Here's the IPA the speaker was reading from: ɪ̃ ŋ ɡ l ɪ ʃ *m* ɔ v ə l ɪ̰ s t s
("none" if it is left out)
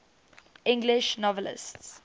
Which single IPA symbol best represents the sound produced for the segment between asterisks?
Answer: n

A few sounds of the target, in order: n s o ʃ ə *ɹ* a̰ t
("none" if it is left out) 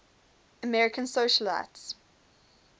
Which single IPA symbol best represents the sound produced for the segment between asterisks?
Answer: l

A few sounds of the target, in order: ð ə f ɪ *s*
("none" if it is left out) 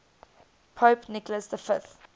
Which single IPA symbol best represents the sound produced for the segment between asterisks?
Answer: θ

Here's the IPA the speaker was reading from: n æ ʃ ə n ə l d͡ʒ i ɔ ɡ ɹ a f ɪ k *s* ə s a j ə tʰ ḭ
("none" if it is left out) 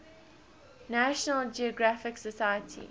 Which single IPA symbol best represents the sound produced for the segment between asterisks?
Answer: s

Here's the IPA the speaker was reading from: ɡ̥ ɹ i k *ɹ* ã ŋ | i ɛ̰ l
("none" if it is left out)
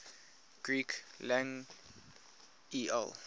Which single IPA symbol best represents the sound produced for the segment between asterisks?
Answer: l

